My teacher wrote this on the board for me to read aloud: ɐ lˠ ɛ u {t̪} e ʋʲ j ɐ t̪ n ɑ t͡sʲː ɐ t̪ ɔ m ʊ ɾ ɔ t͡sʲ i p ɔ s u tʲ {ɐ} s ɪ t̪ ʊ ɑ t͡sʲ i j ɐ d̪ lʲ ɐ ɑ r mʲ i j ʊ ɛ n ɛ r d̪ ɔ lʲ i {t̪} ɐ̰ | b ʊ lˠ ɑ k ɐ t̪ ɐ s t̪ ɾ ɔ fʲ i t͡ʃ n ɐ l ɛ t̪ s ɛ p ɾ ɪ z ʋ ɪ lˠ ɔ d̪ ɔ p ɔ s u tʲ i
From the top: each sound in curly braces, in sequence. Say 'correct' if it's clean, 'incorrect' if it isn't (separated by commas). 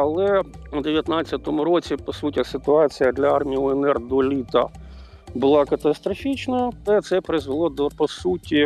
incorrect, correct, correct